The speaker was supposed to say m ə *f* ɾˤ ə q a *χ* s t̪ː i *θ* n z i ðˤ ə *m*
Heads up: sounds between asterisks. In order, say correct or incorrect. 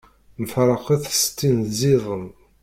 correct, incorrect, incorrect, correct

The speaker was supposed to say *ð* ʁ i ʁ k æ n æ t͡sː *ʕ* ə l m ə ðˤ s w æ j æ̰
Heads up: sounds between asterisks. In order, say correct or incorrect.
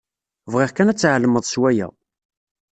incorrect, correct

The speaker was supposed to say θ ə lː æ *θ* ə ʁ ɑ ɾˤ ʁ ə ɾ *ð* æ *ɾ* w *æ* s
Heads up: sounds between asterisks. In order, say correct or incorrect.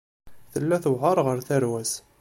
correct, incorrect, correct, correct

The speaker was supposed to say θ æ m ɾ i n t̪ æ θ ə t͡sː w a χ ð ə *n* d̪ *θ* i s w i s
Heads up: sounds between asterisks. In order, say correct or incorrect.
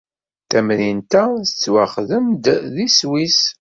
incorrect, incorrect

